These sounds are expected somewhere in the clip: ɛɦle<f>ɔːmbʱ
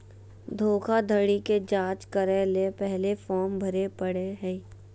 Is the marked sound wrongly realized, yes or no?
no